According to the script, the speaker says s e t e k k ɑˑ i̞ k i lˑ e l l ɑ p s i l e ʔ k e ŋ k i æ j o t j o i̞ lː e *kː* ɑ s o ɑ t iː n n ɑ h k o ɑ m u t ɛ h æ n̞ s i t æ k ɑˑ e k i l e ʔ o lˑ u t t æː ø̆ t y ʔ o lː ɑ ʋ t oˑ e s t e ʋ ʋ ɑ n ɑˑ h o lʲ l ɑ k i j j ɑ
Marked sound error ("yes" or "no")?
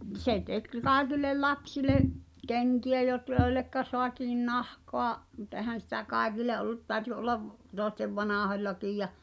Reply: no